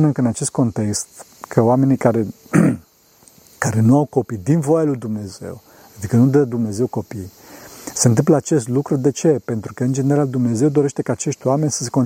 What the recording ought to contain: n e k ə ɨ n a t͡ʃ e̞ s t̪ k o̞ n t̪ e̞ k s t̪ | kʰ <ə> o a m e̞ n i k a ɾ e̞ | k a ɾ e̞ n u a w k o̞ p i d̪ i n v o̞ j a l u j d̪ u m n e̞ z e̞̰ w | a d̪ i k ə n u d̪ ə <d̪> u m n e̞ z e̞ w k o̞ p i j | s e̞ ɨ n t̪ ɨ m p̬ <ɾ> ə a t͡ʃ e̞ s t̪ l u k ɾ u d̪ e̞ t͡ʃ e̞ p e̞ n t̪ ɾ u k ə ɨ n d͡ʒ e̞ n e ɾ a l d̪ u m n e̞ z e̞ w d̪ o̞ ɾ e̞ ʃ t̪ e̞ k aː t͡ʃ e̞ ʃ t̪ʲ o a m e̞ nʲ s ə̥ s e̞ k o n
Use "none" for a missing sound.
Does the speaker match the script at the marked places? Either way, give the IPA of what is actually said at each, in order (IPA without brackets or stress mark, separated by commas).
ə, d̪, l